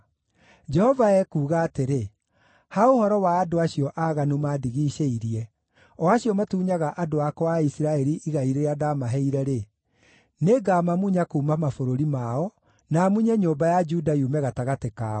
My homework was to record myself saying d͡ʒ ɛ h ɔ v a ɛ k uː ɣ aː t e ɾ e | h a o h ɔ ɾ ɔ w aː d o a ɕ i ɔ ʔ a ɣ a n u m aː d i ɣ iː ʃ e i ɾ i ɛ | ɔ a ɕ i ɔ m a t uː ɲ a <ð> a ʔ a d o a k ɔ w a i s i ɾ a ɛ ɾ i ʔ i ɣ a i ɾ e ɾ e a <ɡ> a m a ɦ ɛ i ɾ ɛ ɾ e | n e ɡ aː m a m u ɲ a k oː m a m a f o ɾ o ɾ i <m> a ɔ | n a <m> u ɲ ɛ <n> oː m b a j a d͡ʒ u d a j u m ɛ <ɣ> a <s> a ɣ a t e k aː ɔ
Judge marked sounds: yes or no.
no, no, yes, yes, no, yes, no

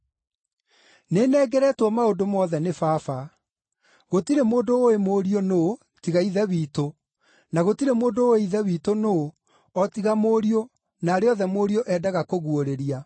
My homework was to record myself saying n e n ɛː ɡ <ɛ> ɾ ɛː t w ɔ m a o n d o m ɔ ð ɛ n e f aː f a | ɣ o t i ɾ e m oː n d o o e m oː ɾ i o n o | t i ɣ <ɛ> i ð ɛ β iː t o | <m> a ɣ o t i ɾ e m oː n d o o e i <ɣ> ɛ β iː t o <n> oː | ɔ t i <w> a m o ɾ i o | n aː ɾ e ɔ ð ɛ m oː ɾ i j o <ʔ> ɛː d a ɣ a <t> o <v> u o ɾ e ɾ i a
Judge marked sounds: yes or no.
yes, no, no, no, yes, no, yes, no, no

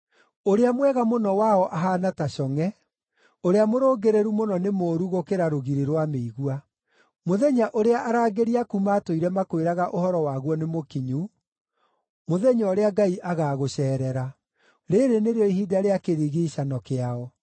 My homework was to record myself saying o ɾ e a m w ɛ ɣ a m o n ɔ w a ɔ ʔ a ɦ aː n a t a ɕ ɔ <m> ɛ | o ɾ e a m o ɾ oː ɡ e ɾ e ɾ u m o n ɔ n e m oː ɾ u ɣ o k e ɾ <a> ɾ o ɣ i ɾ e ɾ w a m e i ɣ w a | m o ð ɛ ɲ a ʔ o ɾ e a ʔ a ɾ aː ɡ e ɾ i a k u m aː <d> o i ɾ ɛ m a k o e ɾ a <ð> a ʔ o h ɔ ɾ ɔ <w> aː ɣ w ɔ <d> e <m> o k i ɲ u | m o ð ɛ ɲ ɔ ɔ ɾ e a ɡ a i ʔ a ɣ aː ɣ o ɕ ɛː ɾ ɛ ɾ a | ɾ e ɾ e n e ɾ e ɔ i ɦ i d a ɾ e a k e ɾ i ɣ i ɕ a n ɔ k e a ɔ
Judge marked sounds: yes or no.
no, yes, no, no, yes, no, yes

